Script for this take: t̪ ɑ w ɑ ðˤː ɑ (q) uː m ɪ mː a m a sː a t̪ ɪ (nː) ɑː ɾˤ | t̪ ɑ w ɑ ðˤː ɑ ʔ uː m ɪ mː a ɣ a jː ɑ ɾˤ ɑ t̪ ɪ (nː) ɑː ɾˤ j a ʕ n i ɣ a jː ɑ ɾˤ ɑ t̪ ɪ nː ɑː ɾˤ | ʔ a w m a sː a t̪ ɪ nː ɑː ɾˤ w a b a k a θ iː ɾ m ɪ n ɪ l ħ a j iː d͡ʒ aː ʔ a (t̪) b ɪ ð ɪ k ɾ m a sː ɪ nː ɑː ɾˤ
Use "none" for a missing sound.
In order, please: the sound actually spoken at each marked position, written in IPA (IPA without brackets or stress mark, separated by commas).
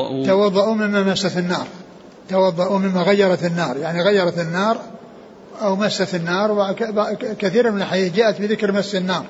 ʔ, nː, nː, t̪